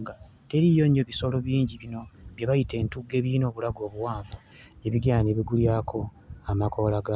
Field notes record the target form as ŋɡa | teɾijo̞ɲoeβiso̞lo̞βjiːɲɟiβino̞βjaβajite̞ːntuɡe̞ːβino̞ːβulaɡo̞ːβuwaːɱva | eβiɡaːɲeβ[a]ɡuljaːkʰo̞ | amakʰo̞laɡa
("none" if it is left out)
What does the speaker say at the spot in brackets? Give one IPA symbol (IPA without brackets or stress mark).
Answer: i